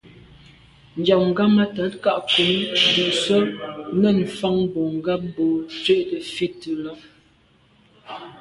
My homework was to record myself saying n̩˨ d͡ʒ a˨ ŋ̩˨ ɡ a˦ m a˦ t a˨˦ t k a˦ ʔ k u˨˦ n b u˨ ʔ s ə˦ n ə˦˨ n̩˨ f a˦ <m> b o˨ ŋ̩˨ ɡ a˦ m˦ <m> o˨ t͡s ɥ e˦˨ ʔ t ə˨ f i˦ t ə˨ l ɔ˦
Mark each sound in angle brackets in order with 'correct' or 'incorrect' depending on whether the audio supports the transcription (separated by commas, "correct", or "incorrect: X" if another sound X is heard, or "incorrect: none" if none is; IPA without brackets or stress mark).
incorrect: ŋ, incorrect: b